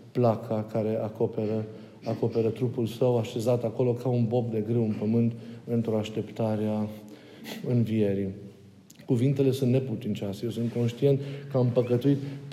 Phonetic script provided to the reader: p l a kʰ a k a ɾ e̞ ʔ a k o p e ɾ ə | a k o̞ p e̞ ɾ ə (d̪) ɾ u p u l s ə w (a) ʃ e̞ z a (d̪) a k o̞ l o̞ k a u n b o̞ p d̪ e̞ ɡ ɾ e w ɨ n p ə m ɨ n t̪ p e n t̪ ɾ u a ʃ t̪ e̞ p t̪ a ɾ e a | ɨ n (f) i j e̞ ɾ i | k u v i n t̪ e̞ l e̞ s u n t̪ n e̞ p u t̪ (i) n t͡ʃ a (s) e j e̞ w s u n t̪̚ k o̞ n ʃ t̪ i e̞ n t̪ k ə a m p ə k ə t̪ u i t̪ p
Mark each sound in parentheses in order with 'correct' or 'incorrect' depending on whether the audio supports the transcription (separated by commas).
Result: incorrect, correct, incorrect, incorrect, correct, correct